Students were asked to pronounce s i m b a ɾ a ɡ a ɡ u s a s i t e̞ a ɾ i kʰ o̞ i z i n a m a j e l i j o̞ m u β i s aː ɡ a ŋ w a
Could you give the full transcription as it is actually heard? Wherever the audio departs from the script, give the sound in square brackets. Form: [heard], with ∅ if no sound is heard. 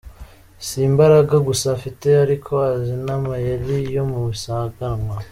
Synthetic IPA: s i m b a ɾ a ɡ a ɡ u s a [f] i t e̞ a ɾ i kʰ o̞ [a] z i n a m a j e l i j o̞ m u β i s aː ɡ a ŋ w a